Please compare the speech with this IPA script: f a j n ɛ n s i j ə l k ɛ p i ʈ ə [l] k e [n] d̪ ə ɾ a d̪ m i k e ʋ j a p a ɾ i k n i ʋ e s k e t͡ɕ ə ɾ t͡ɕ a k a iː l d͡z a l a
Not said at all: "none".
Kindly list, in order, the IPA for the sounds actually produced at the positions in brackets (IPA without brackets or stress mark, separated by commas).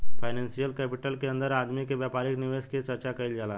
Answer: l, n